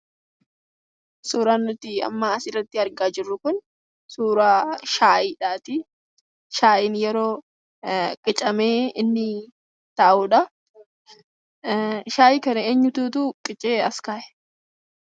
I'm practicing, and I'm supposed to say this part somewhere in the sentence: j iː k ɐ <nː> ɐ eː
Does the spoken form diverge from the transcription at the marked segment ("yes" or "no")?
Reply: yes